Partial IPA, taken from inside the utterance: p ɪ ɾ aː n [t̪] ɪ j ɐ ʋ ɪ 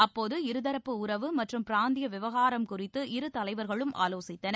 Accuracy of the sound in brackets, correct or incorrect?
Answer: incorrect